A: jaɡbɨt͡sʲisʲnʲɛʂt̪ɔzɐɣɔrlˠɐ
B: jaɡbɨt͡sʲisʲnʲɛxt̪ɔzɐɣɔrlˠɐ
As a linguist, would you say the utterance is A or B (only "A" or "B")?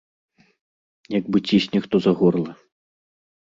B